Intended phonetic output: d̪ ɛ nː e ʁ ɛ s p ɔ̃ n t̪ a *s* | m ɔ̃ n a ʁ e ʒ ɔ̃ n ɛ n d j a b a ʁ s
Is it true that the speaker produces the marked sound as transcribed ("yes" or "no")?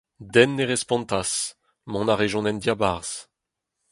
yes